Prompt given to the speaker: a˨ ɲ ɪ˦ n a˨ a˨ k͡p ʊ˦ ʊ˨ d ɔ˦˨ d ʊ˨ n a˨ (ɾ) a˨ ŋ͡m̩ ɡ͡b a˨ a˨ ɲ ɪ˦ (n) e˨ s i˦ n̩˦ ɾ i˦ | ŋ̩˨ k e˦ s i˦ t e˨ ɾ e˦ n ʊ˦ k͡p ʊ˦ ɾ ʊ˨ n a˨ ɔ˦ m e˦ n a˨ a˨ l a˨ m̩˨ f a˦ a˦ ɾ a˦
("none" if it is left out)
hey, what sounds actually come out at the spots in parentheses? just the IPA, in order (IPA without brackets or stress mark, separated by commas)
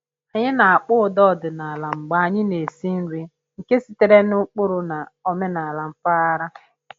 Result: l, n